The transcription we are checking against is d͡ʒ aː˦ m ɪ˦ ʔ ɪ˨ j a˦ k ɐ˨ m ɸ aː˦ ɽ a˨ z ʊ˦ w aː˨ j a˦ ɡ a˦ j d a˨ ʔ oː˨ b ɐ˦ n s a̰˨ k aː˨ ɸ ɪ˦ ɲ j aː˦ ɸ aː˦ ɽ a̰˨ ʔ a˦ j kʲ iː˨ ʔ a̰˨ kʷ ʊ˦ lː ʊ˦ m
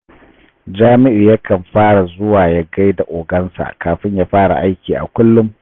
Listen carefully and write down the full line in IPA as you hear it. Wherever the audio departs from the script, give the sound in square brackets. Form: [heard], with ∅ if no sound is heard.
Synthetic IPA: d͡ʒ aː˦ m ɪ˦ ʔ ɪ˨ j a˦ k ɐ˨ m ɸ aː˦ ɽ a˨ z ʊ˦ w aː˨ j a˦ ɡ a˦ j d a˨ ʔ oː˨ [ɡ] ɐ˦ n s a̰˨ k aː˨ ɸ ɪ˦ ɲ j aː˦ ɸ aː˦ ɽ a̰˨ ʔ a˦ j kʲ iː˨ ʔ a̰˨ kʷ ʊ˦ lː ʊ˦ m